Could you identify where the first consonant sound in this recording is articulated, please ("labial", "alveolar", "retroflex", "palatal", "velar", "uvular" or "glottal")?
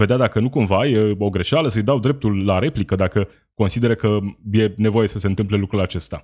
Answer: labial